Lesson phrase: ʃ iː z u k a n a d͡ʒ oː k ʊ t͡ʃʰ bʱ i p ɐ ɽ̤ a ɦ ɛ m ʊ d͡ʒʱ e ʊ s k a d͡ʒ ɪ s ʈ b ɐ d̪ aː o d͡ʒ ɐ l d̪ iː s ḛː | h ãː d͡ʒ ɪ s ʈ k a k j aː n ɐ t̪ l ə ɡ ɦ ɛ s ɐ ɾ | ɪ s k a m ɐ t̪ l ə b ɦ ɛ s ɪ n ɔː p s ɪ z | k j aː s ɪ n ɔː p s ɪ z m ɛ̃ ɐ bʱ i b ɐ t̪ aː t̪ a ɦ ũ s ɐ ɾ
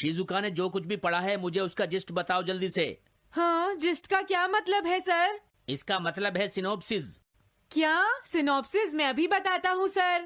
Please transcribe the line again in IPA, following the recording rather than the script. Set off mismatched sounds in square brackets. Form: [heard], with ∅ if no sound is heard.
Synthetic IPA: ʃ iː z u k a n [e] d͡ʒ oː k ʊ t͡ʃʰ bʱ i p ɐ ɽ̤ a ɦ ɛ m ʊ d͡ʒʱ e ʊ s k a d͡ʒ ɪ s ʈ b ɐ [t̪] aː o d͡ʒ ɐ l d̪ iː s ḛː | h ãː d͡ʒ ɪ s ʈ k a k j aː [m] ɐ t̪ l ə [b] ɦ ɛ s ɐ ɾ | ɪ s k a m ɐ t̪ l ə b ɦ ɛ s ɪ n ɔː p s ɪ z | k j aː s ɪ n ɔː p s ɪ z m ɛ̃ ɐ bʱ i b ɐ t̪ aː t̪ a ɦ ũ s ɐ ɾ

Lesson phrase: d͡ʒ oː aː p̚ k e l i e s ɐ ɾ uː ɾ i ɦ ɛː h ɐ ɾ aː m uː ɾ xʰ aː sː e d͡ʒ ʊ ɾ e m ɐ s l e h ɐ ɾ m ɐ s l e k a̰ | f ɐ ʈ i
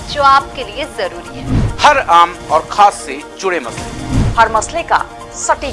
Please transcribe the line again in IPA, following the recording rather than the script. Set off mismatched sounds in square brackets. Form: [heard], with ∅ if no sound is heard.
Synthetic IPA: d͡ʒ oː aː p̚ k e l i e [z] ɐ ɾ uː ɾ i ɦ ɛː h ɐ ɾ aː m [ɔː] ɾ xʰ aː sː e d͡ʒ ʊ [ɽ] e m ɐ s l e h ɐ ɾ m ɐ s l e k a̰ | [s] ɐ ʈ i

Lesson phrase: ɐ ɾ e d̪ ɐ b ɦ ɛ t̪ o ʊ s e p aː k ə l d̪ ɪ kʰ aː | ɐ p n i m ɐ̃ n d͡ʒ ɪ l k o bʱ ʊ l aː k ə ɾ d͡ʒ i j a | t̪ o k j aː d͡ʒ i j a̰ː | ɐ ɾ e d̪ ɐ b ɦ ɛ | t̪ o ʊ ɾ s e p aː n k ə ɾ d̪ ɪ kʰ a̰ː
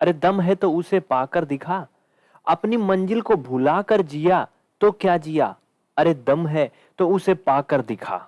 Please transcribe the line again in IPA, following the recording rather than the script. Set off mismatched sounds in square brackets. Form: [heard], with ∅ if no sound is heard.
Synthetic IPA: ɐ ɾ e d̪ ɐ [m] ɦ ɛ t̪ o ʊ s e p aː k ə [ɾ] d̪ ɪ kʰ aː | ɐ p n i m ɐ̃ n d͡ʒ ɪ l k o bʱ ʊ l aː k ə ɾ d͡ʒ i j a | t̪ o k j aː d͡ʒ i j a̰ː | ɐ ɾ e d̪ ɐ [m] ɦ ɛ | t̪ o ʊ [∅] s e p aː [∅] k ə ɾ d̪ ɪ kʰ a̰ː

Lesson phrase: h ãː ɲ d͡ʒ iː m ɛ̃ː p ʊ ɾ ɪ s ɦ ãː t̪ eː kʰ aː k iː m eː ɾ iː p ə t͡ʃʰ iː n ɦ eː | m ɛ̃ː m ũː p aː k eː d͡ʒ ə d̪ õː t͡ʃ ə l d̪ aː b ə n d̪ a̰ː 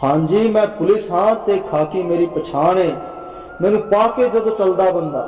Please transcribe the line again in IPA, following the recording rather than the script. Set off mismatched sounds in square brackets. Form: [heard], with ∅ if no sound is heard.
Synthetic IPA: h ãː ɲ d͡ʒ iː m ɛ̃ː p ʊ [l] ɪ s ɦ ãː t̪ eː kʰ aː k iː m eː ɾ iː p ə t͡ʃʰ [aː] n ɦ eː | m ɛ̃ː [n] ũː p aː k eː d͡ʒ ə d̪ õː t͡ʃ ə l d̪ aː b ə n d̪ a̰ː

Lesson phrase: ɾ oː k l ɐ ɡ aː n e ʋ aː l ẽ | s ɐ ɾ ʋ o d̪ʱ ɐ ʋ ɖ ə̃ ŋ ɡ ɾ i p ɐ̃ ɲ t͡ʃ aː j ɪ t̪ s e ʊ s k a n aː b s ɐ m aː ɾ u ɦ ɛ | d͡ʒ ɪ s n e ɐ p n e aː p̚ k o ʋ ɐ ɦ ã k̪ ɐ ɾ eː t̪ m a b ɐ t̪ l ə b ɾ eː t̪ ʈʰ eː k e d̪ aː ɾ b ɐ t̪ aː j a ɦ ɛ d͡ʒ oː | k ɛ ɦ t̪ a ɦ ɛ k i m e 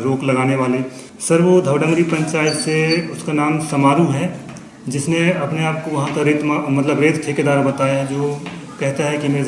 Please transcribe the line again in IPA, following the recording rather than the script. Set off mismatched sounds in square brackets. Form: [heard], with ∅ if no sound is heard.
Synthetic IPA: ɾ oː k l ɐ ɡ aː n e ʋ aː l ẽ | s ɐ ɾ ʋ o d̪ʱ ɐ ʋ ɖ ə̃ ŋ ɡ ɾ i p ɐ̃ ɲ t͡ʃ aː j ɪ t̪ s e ʊ s k a n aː [m] s ɐ m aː ɾ u ɦ ɛ | d͡ʒ ɪ s n e ɐ p n e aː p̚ k o ʋ ɐ ɦ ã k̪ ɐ ɾ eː t̪ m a [m] ɐ t̪ l ə b ɾ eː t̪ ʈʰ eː k e d̪ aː ɾ b ɐ t̪ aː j a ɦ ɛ d͡ʒ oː | k ɛ ɦ t̪ a ɦ ɛ k i m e

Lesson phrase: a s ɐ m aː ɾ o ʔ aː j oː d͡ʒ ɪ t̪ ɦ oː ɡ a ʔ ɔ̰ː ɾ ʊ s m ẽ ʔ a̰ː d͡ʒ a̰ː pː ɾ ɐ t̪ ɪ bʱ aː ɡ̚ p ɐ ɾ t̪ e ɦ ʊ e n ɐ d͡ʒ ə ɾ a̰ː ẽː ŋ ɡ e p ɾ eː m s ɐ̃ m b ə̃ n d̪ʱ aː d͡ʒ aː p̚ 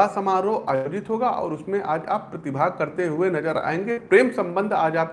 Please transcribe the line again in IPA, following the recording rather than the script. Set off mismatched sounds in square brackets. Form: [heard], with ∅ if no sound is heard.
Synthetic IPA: a s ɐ m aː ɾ o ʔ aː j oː d͡ʒ ɪ t̪ ɦ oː ɡ a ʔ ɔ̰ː ɾ ʊ s m ẽ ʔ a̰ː d͡ʒ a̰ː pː ɾ ɐ t̪ ɪ bʱ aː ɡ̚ [k] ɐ ɾ t̪ e ɦ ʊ e n ɐ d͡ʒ ə ɾ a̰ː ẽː ŋ ɡ e p ɾ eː m s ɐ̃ m b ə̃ n d̪ʱ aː d͡ʒ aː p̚

